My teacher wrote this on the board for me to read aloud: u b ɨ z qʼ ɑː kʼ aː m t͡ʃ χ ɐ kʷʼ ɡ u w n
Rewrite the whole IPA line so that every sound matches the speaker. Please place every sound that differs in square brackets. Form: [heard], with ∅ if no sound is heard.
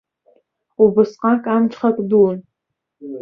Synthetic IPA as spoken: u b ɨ [s] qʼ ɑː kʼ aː m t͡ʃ χ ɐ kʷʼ [d] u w n